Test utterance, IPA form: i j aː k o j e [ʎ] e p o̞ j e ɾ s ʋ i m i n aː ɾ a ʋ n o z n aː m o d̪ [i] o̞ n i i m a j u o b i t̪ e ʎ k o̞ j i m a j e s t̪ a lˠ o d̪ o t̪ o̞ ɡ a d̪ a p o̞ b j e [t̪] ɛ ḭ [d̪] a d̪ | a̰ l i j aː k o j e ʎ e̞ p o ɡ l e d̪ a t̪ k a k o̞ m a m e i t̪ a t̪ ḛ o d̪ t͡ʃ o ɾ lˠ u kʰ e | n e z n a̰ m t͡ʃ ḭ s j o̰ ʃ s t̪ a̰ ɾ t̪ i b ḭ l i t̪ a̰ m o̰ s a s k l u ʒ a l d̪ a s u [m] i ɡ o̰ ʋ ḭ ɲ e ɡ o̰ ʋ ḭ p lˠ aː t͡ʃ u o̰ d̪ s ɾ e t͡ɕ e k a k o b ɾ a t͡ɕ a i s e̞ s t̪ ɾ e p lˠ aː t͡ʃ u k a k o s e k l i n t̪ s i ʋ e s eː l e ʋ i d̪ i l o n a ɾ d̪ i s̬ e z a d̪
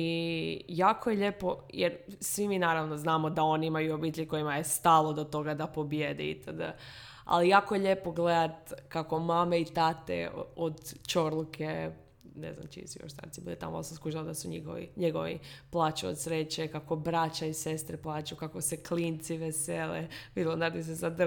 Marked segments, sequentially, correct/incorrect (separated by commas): correct, incorrect, incorrect, incorrect, incorrect